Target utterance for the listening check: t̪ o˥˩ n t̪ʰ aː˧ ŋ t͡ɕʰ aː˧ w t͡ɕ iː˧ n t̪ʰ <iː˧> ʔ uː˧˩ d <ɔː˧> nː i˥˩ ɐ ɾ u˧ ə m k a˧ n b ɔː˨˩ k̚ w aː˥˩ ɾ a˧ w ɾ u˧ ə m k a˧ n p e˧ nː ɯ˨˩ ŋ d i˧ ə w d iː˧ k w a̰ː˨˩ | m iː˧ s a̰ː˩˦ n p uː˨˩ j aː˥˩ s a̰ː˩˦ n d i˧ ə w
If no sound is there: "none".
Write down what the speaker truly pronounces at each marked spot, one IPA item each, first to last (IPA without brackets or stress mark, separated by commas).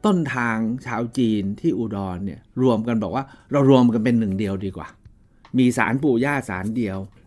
iː˥˩, ɔː˧